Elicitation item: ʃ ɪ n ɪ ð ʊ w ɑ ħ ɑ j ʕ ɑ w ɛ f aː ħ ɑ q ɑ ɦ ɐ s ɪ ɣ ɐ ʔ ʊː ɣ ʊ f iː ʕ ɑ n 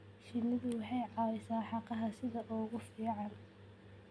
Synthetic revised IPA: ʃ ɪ n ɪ ð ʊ w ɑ ħ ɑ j ʕ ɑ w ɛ s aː ħ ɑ q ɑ ɦ ɐ s ɪ ð ɐ ʔ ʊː ɣ ʊ f iː ʕ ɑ n